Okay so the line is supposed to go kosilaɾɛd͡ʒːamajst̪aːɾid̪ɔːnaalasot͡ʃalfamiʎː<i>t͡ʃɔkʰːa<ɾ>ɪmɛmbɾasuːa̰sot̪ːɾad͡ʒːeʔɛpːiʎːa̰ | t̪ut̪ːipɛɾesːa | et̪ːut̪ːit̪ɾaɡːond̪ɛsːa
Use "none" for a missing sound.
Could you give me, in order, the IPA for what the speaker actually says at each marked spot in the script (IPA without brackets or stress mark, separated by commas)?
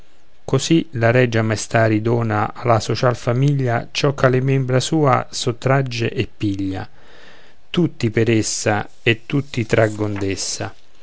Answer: a, l